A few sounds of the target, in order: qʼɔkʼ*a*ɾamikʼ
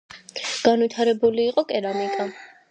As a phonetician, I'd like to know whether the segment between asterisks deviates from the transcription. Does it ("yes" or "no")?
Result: yes